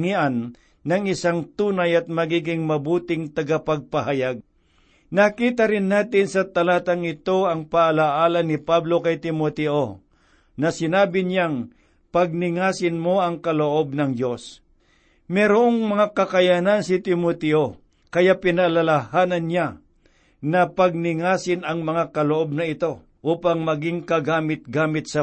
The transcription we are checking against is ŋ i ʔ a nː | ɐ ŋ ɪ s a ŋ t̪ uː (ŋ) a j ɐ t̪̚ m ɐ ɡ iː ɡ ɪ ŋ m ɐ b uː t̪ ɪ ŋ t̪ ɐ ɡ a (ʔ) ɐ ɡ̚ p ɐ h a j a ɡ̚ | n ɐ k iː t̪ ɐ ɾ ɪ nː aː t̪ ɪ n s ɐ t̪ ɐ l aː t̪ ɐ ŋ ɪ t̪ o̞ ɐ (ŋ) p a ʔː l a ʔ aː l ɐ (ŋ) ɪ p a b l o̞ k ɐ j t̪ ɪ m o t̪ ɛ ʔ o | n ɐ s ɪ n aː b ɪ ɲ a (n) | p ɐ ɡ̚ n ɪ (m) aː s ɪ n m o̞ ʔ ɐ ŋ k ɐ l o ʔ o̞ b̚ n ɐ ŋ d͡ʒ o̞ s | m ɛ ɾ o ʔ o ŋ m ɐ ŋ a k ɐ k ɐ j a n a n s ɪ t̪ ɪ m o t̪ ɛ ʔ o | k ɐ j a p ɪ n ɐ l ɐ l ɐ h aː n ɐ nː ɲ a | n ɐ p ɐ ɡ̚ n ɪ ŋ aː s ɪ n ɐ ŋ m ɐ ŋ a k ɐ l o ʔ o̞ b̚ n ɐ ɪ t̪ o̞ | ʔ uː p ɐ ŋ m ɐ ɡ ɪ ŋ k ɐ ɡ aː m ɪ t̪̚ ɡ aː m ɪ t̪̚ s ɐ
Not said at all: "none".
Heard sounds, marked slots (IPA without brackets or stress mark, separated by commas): n, p, ŋ, n, ŋ, ŋ